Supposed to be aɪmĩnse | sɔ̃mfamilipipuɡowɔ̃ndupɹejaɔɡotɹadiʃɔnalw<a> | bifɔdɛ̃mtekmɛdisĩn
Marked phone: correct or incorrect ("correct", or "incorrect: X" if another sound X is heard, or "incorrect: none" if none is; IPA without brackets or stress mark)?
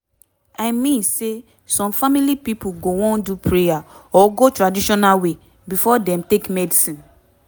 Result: incorrect: e